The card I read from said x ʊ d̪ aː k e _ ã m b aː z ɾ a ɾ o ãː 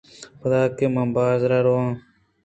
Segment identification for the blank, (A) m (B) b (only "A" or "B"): A